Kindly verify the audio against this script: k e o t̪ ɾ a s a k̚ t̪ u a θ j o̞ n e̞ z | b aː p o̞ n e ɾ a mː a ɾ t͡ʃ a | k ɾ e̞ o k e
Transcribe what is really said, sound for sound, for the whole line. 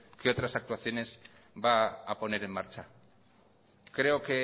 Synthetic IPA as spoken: k e o t̪ ɾ a s a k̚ t̪ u a θ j o̞ n e̞ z | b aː p o̞ n e ɾ e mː a ɾ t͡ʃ a | k ɾ e̞ o k e